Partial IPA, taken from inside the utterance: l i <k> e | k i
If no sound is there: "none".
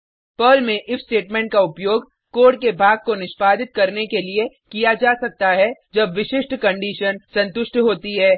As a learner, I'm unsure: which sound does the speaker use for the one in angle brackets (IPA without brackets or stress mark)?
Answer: none